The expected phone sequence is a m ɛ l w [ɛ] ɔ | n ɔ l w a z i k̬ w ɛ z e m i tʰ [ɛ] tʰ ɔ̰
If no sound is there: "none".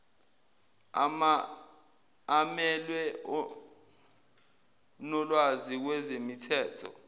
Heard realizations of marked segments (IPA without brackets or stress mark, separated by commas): ɛ, ɛː